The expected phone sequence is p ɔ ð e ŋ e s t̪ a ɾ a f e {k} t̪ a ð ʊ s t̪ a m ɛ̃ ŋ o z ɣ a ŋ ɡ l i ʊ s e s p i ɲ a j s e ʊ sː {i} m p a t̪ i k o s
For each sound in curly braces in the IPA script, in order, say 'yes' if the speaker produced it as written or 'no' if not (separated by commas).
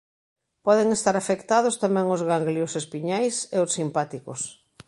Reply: yes, yes